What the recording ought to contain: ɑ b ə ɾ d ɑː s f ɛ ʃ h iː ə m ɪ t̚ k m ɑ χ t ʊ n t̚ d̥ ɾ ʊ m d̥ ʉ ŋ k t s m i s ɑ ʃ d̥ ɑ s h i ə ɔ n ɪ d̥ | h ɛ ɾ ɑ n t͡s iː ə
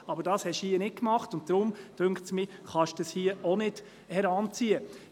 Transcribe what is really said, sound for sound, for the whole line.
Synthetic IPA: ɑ b ə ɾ d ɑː s h ɛ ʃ h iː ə n ɪ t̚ k m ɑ χ t ʊ n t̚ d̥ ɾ ʊ m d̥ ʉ ŋ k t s m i χ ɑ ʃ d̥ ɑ s h i ə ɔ n ɪ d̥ | h ɛ ɾ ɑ n t͡s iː ə